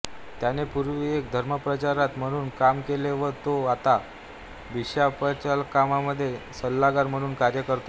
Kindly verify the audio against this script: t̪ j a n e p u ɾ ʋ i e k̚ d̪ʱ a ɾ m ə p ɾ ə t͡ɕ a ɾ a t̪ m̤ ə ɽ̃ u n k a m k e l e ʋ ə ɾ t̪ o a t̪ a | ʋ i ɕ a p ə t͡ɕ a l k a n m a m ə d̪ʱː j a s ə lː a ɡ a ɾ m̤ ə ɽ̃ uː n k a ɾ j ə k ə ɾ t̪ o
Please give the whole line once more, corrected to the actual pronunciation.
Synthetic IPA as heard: t̪ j a n e p u ɾ ʋ i e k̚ d̪ʱ ə ɾ m ə p ɾ ə t͡ɕ a ɾ a t̪ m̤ ə ɽ̃ uː n k a m k e l e ʋ ə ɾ t̪ o a t̪ a | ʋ i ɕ a p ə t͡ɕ a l k a m a m ə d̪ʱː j e s ə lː a ɡ a ɾ m̤ ə ɽ̃ uː n k a ɾ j ə k ə ɾ t̪ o